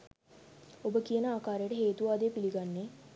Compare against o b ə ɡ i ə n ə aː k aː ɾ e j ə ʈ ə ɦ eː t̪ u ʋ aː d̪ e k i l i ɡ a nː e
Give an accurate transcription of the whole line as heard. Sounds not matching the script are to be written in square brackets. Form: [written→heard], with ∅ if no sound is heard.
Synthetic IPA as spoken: o b ə [ɡ→k] i ə n ə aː k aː ɾ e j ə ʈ ə ɦ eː t̪ u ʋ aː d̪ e [k→p] i l i ɡ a nː e